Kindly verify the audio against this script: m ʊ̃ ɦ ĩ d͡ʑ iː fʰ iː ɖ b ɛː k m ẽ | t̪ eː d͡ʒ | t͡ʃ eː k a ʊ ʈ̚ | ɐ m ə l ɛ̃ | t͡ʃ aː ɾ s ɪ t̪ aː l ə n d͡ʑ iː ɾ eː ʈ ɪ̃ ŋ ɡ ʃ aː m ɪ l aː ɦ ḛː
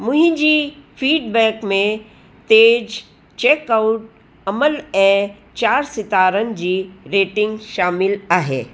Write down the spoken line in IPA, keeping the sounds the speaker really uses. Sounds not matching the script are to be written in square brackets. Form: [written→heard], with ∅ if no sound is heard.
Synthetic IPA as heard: m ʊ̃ ɦ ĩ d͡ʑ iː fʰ iː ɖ b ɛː k m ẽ | t̪ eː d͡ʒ | t͡ʃ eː k a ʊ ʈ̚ | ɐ m ə l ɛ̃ | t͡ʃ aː ɾ s ɪ t̪ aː [l→ɾ] ə n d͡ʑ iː ɾ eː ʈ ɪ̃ ŋ ɡ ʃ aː m ɪ l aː ɦ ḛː

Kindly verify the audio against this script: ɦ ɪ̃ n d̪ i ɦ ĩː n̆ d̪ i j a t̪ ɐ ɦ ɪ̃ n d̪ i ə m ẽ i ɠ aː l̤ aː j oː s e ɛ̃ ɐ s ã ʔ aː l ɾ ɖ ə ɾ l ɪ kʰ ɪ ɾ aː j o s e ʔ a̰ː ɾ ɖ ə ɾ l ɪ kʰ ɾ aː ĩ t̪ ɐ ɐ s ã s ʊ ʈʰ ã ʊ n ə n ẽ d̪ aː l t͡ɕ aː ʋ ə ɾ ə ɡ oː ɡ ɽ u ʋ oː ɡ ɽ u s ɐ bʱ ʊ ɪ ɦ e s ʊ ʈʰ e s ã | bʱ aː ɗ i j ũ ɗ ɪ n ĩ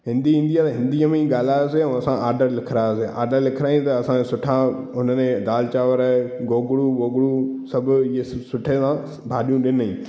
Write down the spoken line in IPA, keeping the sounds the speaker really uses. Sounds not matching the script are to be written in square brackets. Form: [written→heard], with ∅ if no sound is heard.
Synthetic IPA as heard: ɦ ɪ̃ n d̪ i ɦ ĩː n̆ d̪ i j a t̪ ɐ ɦ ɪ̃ n d̪ i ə m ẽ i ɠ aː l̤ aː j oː s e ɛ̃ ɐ s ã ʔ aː [l→∅] ɾ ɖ ə ɾ l ɪ kʰ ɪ ɾ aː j o s e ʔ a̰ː ɾ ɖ ə ɾ l ɪ kʰ ɾ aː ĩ t̪ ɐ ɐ s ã s ʊ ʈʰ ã ʊ n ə n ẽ d̪ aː l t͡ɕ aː ʋ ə ɾ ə ɡ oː ɡ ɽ u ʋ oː ɡ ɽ u s ɐ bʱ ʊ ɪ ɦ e s ʊ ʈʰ e s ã | bʱ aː ɗ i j ũ ɗ ɪ n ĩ

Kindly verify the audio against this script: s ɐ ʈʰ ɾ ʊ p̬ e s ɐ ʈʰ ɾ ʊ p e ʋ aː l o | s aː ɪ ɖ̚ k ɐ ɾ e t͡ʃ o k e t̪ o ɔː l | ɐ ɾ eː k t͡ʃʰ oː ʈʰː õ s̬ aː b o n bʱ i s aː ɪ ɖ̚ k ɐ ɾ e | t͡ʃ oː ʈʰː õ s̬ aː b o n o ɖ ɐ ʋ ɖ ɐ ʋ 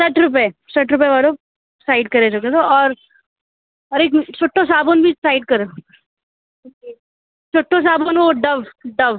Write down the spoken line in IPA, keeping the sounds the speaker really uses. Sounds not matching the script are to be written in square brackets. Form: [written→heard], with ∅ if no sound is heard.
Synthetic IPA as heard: s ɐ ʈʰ ɾ ʊ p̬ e s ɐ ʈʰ ɾ ʊ p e ʋ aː l o | s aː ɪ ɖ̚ k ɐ ɾ e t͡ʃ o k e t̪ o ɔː [l→ɾ] | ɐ ɾ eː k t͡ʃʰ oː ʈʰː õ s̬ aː b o n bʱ i s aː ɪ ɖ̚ k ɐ ɾ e | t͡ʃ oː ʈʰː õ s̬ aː b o n o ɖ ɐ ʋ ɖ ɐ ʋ

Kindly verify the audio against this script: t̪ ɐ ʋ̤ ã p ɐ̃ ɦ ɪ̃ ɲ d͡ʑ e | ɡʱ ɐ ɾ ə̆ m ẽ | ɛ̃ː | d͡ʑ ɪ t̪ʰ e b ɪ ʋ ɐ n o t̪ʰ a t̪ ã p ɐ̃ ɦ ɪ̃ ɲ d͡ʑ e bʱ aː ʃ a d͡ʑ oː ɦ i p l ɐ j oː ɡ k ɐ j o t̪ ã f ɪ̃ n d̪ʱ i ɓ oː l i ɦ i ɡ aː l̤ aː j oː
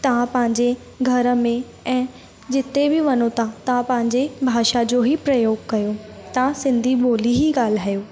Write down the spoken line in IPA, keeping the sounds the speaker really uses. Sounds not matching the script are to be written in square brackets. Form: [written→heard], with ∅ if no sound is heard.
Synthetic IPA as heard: t̪ ɐ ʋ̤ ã p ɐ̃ ɦ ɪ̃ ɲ d͡ʑ e | ɡʱ ɐ ɾ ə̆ m ẽ | ɛ̃ː | d͡ʑ ɪ [t̪ʰ→t̪] e b ɪ ʋ ɐ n o t̪ʰ a t̪ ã p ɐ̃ ɦ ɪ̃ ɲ d͡ʑ e bʱ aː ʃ a d͡ʑ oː ɦ i p [l→ɾ] ɐ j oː ɡ k ɐ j o t̪ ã [f→s] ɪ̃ n d̪ʱ i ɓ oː l i ɦ i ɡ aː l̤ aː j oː

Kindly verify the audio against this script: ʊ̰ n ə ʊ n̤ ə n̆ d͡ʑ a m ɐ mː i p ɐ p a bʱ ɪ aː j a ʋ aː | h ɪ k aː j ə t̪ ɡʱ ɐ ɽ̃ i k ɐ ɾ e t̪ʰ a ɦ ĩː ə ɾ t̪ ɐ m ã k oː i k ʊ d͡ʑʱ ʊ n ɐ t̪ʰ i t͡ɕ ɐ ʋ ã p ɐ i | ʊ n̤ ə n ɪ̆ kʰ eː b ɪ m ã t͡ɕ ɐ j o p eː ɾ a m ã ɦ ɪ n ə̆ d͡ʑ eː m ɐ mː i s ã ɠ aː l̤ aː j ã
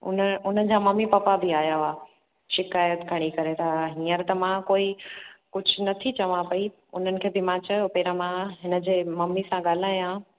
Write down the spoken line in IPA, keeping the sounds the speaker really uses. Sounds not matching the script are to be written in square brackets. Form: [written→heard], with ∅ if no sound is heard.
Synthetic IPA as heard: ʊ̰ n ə ʊ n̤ ə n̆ d͡ʑ a m ɐ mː i p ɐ p a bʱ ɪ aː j a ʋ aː | [h→ʃ] ɪ k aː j ə t̪ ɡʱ ɐ ɽ̃ i k ɐ ɾ e t̪ʰ a ɦ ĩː ə ɾ t̪ ɐ m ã k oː i k ʊ d͡ʑʱ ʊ n ɐ t̪ʰ i t͡ɕ ɐ ʋ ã p ɐ i | ʊ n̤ ə n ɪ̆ kʰ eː b ɪ m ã t͡ɕ ɐ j o p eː ɾ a m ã ɦ ɪ n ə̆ d͡ʑ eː m ɐ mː i s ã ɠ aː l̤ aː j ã

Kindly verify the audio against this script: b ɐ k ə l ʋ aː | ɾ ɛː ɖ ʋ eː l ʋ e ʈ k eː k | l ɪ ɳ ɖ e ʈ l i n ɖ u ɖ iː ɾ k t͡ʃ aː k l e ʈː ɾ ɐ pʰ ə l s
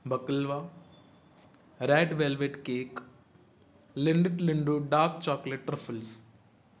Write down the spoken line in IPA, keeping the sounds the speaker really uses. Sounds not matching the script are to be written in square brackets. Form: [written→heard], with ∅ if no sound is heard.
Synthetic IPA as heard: b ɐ k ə l ʋ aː | ɾ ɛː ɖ ʋ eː l ʋ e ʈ k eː k | l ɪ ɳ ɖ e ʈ l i [n→ɳ] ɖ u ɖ [iː→aː] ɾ k t͡ʃ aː k l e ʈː ɾ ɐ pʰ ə l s

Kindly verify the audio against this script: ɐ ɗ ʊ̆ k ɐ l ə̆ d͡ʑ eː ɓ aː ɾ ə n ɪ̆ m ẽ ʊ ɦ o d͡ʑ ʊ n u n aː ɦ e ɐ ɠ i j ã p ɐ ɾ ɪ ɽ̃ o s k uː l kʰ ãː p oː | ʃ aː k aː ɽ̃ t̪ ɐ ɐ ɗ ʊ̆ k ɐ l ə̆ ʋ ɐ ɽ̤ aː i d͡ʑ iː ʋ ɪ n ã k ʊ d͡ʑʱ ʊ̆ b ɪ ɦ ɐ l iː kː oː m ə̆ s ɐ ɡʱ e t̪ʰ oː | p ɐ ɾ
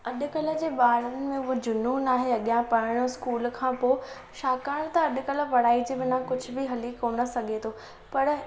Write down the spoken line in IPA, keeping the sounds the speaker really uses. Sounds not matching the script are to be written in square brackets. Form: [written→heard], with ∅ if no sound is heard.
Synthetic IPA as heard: ɐ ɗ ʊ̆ k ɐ l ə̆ d͡ʑ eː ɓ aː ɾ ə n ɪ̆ m ẽ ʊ ɦ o d͡ʑ ʊ n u n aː ɦ e ɐ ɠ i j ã p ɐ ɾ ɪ ɽ̃ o s k uː l kʰ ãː p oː | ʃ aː k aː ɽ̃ t̪ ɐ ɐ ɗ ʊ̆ k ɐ l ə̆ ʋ ɐ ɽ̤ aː i d͡ʑ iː ʋ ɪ n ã k ʊ d͡ʑʱ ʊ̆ b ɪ ɦ ɐ l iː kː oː [m→n] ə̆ s ɐ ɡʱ e t̪ʰ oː | p ɐ ɾ

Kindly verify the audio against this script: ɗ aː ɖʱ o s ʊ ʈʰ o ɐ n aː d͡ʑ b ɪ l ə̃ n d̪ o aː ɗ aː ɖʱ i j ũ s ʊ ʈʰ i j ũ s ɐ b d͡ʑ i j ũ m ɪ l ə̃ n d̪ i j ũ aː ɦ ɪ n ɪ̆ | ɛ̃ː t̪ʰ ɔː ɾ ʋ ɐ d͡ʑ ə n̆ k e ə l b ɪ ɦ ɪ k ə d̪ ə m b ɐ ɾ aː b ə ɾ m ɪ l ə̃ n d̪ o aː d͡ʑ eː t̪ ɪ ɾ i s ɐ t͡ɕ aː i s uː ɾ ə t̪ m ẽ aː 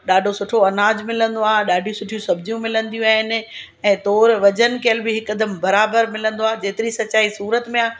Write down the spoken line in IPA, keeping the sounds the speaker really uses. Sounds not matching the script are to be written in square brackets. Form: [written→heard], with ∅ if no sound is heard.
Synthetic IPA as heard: ɗ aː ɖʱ o s ʊ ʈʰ o ɐ n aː d͡ʑ [b→m] ɪ l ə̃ n d̪ o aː ɗ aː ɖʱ i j ũ s ʊ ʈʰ i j ũ s ɐ b d͡ʑ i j ũ m ɪ l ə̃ n d̪ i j ũ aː ɦ ɪ n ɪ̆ | ɛ̃ː [t̪ʰ→t̪] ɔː ɾ ʋ ɐ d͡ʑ ə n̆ k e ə l b ɪ ɦ ɪ k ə d̪ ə m b ɐ ɾ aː b ə ɾ m ɪ l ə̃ n d̪ o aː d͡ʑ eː t̪ ɪ ɾ i s ɐ t͡ɕ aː i s uː ɾ ə t̪ m ẽ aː

